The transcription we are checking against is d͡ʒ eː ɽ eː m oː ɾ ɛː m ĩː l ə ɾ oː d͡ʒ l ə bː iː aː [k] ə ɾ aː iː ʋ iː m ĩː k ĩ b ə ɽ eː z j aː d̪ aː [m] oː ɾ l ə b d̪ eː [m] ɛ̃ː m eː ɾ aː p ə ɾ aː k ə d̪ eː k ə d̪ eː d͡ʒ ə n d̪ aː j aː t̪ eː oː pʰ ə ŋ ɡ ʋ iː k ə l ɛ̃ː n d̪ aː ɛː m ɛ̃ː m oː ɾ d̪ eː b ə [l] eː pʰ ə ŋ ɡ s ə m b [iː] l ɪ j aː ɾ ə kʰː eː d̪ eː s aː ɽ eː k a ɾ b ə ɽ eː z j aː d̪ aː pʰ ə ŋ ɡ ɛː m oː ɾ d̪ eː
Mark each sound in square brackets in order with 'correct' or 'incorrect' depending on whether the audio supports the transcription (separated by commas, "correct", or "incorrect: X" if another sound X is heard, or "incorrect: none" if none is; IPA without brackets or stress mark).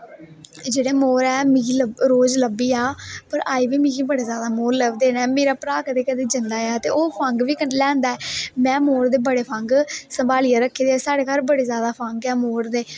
incorrect: p, correct, incorrect: n, incorrect: ɽ, incorrect: aː